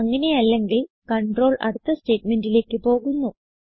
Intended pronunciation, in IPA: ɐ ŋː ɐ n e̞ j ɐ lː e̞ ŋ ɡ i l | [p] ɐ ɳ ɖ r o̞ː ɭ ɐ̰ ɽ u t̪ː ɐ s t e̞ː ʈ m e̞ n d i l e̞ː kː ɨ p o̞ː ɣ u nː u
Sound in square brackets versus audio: incorrect: k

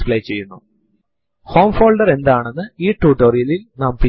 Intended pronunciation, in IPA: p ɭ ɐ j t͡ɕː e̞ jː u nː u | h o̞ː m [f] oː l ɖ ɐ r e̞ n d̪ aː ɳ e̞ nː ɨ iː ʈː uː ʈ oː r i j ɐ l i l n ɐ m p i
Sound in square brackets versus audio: correct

